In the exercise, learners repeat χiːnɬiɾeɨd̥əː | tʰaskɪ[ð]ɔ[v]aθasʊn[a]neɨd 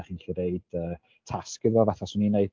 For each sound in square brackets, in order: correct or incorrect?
correct, correct, incorrect

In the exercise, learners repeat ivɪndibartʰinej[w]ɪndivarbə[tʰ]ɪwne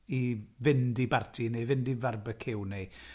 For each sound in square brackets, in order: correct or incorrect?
incorrect, incorrect

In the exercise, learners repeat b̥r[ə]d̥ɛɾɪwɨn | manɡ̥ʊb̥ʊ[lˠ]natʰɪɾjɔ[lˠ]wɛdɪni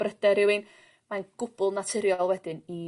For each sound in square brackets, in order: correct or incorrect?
correct, correct, correct

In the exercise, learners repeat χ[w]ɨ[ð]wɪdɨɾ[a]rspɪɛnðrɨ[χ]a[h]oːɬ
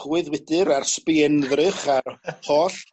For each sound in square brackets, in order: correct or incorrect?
correct, correct, correct, correct, correct

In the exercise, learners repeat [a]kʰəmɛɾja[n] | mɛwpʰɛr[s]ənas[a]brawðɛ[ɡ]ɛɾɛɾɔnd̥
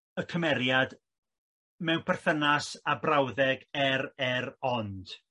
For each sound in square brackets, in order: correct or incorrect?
incorrect, incorrect, incorrect, correct, correct

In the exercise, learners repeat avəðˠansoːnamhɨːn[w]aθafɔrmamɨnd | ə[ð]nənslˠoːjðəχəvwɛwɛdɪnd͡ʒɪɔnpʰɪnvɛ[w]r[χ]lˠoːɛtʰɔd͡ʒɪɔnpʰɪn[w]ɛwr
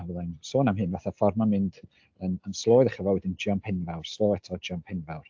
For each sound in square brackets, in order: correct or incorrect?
incorrect, incorrect, correct, incorrect, incorrect

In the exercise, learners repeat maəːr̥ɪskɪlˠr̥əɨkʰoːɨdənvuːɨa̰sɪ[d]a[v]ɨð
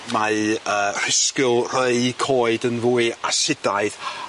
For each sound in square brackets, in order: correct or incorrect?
correct, incorrect

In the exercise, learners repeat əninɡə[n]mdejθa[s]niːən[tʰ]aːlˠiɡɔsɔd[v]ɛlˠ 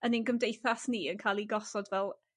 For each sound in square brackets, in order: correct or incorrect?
incorrect, correct, incorrect, correct

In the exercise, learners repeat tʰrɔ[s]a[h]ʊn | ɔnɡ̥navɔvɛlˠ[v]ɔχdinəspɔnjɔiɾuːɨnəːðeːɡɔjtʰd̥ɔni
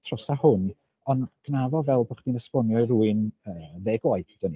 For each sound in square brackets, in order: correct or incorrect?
correct, correct, incorrect

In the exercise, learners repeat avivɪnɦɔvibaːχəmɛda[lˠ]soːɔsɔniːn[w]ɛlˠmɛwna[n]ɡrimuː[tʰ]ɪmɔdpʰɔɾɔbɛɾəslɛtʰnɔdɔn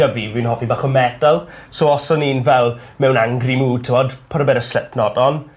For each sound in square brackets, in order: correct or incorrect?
correct, incorrect, incorrect, correct

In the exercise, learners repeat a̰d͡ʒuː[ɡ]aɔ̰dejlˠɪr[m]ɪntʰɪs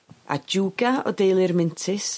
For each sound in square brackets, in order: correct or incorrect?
correct, correct

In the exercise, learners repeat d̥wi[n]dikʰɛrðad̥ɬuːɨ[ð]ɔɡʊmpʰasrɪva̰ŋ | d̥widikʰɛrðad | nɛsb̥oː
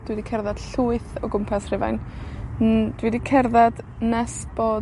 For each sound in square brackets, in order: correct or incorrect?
incorrect, incorrect

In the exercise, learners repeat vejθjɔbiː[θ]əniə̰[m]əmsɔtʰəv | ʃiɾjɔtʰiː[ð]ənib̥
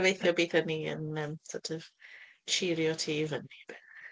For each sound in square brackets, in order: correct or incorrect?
correct, incorrect, incorrect

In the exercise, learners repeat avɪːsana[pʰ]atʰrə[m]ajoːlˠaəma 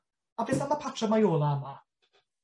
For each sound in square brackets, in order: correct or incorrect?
correct, correct

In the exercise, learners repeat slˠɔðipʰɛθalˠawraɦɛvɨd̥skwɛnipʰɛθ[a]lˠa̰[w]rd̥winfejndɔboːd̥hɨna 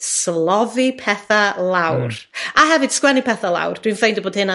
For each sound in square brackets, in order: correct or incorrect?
correct, correct

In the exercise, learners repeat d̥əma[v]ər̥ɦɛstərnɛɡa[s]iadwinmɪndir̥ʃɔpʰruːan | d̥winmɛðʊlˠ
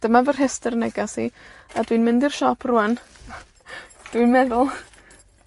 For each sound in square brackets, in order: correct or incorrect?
correct, correct

